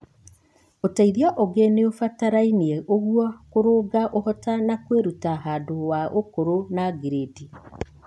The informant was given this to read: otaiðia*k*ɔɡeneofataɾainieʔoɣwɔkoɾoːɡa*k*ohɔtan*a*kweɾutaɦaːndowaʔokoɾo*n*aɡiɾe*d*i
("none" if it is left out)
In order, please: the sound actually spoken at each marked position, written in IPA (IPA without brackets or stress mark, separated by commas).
ʔ, ʔ, a, n, d